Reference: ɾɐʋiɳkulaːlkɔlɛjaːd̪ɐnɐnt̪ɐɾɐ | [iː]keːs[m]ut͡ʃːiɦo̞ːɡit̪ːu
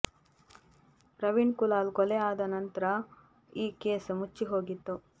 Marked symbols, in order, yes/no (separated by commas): yes, yes